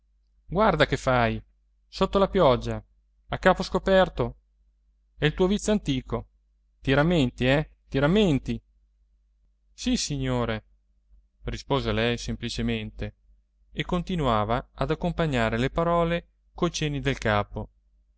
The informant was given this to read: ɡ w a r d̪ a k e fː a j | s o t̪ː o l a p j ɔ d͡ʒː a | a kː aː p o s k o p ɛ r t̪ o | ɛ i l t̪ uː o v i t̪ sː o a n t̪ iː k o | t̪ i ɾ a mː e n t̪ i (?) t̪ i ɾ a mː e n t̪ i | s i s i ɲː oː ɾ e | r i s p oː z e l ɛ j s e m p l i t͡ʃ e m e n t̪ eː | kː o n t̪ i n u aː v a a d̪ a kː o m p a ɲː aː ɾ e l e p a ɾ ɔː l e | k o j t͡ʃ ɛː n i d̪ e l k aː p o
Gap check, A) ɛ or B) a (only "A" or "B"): A